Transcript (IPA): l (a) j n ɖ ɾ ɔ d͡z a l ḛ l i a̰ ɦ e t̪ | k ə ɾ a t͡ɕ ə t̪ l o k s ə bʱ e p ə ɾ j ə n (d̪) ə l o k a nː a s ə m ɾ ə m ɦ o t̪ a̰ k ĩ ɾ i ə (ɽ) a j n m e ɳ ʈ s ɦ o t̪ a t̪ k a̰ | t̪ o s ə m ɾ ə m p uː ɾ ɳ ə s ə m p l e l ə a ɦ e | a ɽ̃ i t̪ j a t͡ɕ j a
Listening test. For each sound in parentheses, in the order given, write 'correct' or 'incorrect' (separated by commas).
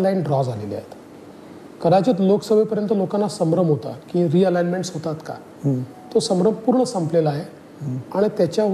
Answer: correct, incorrect, incorrect